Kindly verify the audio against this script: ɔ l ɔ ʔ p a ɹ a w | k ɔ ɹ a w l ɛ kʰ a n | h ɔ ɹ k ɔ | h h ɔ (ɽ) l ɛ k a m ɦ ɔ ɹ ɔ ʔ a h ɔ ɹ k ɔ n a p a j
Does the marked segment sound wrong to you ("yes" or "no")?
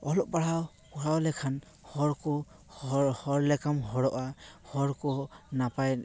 yes